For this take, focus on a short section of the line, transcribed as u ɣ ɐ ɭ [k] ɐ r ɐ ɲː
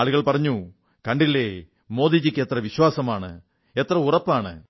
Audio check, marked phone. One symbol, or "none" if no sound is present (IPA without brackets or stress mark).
p